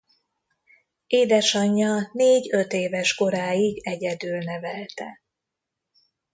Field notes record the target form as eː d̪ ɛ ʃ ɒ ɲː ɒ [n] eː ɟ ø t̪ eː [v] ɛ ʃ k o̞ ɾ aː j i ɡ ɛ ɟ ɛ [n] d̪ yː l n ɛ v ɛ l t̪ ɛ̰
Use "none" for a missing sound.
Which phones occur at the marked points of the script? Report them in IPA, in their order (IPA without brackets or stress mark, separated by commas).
n, v, none